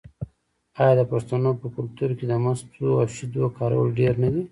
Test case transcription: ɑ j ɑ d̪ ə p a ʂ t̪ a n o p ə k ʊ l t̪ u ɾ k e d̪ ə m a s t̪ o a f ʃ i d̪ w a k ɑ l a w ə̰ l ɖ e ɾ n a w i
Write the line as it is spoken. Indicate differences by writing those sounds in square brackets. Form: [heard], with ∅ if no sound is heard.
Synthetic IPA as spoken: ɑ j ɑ d̪ ə p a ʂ t̪ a n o p ə k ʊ l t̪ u ɾ k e d̪ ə m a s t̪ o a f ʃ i d̪ w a k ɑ [ɾ] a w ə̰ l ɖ e ɾ n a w i